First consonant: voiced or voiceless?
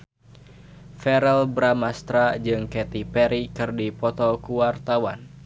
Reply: voiceless